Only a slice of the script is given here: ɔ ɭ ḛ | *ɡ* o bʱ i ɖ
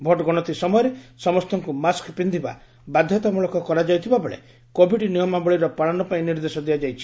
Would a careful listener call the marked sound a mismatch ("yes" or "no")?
yes